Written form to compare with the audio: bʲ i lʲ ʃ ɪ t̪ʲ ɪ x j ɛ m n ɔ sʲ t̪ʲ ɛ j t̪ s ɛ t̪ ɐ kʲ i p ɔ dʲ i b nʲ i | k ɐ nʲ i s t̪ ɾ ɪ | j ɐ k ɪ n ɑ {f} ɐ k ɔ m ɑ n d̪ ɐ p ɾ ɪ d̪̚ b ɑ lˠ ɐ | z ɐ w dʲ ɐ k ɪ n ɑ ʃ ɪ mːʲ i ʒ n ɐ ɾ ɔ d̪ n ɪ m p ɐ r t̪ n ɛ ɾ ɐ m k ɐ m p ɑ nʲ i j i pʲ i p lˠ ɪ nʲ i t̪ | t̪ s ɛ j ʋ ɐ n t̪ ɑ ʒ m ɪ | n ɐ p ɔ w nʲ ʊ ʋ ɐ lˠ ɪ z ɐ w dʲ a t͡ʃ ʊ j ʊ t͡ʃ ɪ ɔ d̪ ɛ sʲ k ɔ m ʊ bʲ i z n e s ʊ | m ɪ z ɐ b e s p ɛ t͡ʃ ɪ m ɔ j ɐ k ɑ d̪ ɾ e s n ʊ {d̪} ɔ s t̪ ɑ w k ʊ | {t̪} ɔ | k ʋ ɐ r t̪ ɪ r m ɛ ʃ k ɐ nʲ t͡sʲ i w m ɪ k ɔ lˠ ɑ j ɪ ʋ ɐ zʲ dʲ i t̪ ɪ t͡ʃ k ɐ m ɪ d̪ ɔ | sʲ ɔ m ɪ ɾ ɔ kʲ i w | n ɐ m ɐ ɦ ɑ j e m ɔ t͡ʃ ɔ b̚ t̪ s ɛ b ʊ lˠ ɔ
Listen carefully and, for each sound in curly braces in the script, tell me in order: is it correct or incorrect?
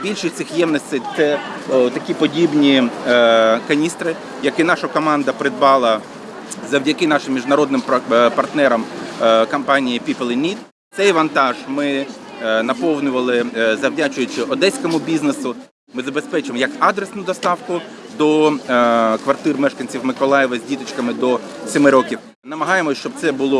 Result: incorrect: ʃ, correct, incorrect: d̪

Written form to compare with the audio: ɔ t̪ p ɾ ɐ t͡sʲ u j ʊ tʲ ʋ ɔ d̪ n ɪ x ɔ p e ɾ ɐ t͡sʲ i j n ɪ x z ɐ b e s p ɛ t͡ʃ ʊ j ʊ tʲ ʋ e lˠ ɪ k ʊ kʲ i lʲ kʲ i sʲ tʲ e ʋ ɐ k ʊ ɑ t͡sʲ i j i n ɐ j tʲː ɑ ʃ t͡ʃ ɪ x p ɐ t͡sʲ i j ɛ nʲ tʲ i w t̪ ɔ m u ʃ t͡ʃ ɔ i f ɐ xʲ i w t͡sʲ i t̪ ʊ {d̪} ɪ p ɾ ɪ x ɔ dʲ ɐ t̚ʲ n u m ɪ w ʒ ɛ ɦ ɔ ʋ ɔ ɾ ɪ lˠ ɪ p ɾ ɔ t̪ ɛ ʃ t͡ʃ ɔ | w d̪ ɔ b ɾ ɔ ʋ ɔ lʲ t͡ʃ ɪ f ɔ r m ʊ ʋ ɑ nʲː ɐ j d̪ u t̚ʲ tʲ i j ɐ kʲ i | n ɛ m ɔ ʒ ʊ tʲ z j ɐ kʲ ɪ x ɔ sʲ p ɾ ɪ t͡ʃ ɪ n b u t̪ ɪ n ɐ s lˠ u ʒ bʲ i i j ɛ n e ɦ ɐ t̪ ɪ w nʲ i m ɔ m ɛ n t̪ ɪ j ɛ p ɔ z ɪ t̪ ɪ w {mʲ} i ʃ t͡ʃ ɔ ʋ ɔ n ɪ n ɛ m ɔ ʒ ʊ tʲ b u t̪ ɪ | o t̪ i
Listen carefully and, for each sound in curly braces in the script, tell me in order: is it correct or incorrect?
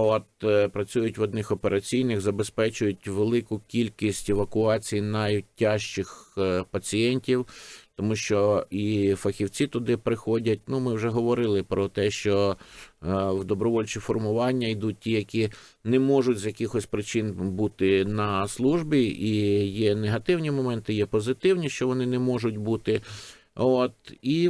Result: correct, incorrect: nʲ

